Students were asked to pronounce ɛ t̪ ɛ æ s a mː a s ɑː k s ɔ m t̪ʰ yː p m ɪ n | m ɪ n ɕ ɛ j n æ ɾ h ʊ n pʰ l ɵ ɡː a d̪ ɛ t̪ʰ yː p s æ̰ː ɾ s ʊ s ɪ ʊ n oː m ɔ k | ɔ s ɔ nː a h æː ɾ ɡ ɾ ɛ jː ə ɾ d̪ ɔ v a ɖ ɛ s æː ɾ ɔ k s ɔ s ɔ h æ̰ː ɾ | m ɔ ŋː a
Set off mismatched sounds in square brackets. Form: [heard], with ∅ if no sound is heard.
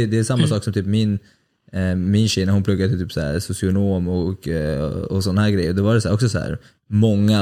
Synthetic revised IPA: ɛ [d̪] ɛ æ s a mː a s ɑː k s ɔ m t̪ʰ yː p m ɪ n | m ɪ n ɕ ɛ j n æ ɾ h ʊ n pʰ l ɵ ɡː a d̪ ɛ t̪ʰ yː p s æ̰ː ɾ s ʊ s ɪ ʊ n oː m ɔ k | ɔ s ɔ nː a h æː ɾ ɡ ɾ ɛ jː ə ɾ d̪ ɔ v a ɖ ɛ s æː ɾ ɔ k s ɔ s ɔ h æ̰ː ɾ | m ɔ ŋː a